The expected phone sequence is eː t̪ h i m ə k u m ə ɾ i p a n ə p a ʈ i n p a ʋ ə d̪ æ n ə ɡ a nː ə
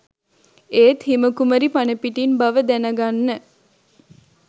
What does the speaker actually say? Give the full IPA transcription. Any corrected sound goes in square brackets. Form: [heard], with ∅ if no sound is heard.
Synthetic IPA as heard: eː t̪ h i m ə k u m ə ɾ i p a n ə p [i] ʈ i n [b] a ʋ ə d̪ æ n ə ɡ a nː ə

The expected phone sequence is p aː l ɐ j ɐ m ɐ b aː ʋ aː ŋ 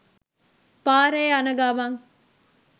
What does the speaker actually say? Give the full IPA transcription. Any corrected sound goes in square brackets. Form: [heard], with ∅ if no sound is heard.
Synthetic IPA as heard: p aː [ɾ] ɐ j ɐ [n] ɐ [ɡ] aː ʋ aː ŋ

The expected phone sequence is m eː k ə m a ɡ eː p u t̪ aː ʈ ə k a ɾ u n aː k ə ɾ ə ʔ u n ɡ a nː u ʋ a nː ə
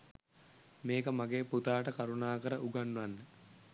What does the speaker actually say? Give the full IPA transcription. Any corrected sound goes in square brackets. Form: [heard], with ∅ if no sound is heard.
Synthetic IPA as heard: m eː k ə m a ɡ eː p u t̪ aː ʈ ə k a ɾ u n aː k ə ɾ ə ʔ u [∅] ɡ a nː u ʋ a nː ə

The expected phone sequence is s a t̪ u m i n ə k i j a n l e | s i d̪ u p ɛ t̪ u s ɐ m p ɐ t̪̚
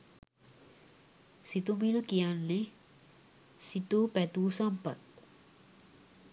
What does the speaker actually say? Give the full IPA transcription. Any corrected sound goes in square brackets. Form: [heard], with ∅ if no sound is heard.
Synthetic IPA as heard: s [i] t̪ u m i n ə k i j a n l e | s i [t̪] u p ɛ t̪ u s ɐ m p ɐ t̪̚

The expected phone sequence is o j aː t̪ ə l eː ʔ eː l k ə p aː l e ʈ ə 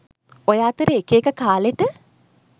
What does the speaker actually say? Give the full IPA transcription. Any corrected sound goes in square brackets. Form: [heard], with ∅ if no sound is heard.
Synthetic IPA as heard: o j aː t̪ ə [ɾ] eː [k] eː [∅] k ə [k] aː l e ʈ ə

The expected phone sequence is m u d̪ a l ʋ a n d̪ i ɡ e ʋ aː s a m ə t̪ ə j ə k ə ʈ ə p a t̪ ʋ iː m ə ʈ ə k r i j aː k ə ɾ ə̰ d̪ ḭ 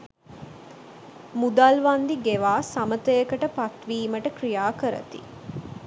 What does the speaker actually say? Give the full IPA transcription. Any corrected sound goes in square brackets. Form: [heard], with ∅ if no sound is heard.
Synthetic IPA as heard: m u d̪ a l ʋ a n d̪ i ɡ e ʋ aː s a m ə t̪ ə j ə k ə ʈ ə p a t̪ ʋ iː m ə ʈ ə k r i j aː k ə ɾ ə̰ [t̪] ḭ

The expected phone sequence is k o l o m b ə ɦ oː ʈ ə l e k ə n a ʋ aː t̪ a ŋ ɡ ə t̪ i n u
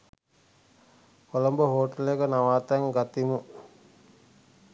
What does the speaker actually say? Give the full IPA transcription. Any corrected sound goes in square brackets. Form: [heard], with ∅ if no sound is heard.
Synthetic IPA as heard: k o l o m b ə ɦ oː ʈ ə l e k ə n a ʋ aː t̪ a ŋ ɡ [a] t̪ i [m] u

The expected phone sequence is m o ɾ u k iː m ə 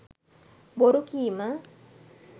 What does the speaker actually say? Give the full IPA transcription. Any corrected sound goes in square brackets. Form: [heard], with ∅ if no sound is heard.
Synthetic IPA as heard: [b] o ɾ u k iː m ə

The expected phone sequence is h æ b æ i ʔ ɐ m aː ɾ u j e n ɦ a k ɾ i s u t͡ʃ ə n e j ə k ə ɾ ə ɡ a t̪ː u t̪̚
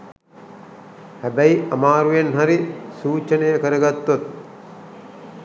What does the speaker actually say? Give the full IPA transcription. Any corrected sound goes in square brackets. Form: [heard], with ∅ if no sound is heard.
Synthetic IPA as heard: h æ b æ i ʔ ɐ m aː ɾ u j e n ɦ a [∅] ɾ i s [uː] t͡ʃ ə n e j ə k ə ɾ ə ɡ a t̪ː [o] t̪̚

